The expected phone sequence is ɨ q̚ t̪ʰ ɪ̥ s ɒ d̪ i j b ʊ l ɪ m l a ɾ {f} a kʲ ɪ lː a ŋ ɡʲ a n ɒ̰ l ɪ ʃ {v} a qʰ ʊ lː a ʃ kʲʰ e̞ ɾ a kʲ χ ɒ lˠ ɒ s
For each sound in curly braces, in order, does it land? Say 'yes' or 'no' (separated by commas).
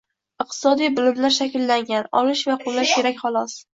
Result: no, yes